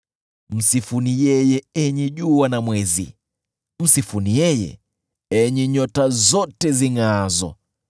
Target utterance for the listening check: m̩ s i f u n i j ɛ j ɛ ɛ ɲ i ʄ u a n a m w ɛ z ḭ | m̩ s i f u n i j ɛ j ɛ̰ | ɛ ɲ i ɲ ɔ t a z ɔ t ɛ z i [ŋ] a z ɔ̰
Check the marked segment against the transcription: correct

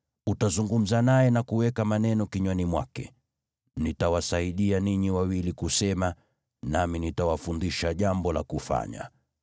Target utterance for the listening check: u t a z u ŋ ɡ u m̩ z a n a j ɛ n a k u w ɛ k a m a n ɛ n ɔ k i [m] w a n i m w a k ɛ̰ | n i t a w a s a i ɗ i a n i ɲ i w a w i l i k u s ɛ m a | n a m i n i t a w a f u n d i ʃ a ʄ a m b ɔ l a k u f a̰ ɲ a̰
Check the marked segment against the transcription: incorrect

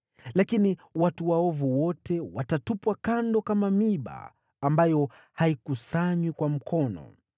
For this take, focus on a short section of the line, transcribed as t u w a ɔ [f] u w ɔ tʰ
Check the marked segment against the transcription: incorrect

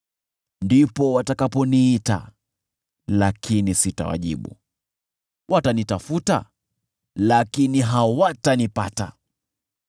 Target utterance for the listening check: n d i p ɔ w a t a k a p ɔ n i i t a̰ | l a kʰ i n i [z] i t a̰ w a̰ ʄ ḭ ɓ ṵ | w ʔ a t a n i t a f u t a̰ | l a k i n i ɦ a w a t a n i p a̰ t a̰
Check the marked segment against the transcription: incorrect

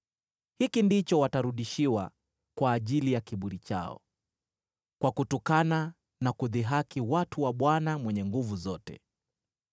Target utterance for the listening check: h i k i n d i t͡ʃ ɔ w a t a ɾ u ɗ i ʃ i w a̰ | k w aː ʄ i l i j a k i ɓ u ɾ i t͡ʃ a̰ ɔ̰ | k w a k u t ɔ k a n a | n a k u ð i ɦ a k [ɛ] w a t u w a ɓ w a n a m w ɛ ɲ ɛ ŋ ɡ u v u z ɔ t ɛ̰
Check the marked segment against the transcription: incorrect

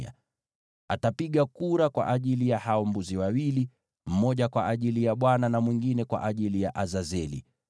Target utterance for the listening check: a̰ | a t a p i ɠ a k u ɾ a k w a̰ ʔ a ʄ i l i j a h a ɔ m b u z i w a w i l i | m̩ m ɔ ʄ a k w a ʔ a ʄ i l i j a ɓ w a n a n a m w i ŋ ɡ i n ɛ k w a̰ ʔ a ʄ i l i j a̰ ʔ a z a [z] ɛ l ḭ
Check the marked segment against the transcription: correct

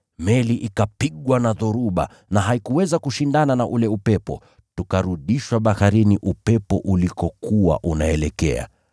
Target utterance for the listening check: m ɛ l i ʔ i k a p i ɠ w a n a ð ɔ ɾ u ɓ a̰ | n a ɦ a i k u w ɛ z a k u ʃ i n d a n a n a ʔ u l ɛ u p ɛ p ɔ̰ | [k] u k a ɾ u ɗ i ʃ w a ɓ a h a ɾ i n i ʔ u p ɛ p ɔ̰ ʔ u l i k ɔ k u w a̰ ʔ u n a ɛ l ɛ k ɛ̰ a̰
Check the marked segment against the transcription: incorrect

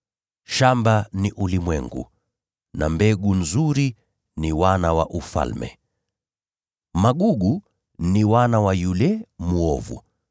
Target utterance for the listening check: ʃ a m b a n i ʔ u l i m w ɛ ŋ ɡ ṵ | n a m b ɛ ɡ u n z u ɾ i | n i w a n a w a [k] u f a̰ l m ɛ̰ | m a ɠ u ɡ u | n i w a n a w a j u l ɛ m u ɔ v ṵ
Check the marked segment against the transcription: incorrect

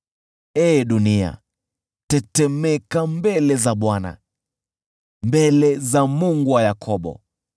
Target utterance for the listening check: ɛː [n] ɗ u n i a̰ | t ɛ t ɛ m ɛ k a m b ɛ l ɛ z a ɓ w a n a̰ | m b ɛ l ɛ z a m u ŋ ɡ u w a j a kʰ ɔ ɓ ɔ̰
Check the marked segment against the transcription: incorrect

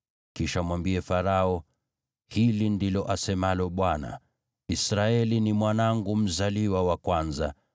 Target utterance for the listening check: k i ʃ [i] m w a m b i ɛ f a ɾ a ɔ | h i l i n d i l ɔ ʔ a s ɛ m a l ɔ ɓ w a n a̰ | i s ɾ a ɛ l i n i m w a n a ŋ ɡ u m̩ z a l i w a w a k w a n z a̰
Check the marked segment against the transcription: incorrect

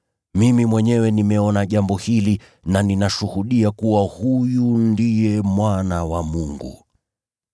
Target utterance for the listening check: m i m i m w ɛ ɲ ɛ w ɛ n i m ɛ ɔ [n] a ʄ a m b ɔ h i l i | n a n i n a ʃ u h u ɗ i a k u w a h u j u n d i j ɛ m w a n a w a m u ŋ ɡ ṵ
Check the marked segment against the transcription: correct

